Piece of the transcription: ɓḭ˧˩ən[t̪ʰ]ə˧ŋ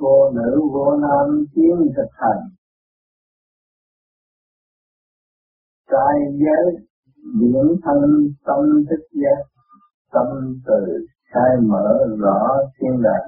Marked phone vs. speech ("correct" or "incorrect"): correct